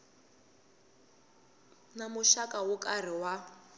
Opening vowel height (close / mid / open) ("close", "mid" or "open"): open